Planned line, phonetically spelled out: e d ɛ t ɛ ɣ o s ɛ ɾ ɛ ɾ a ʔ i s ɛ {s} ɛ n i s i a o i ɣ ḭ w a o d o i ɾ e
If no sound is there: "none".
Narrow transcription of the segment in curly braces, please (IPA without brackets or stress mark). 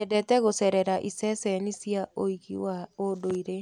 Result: s